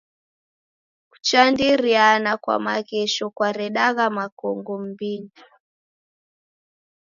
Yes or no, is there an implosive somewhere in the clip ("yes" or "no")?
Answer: yes